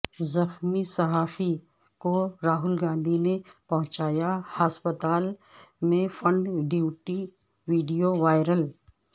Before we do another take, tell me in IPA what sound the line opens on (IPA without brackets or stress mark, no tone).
z